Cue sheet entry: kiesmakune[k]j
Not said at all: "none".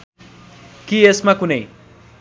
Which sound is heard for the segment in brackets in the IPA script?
none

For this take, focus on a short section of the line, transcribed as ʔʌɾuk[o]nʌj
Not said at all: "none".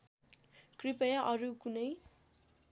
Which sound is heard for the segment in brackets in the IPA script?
u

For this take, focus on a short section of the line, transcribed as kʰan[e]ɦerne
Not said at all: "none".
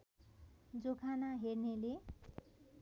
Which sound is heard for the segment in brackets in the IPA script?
a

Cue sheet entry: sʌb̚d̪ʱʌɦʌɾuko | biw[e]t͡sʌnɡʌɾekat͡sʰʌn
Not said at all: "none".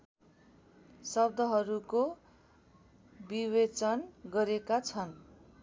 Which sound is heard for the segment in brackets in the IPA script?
e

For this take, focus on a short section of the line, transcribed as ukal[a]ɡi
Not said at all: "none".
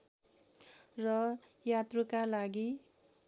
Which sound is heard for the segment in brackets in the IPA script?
a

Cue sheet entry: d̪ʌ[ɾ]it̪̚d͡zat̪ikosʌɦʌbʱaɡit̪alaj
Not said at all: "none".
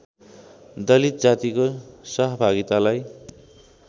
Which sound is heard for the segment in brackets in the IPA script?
l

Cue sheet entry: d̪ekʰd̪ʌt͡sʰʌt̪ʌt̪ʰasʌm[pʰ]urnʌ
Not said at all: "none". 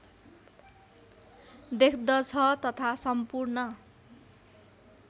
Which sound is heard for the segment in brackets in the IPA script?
p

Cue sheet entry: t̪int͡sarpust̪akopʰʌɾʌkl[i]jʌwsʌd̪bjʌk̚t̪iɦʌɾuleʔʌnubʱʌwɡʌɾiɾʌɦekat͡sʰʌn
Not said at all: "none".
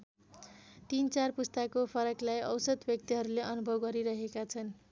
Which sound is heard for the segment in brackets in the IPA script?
a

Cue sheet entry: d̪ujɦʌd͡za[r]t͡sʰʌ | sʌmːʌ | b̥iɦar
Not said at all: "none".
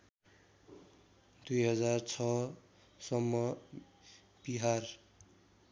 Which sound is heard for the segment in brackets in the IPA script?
r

